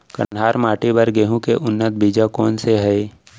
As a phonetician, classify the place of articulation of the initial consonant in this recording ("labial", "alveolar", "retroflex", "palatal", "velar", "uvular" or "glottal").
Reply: velar